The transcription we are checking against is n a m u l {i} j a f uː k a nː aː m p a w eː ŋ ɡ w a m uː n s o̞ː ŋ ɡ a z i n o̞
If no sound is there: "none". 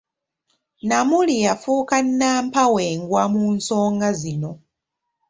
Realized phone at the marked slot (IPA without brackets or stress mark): i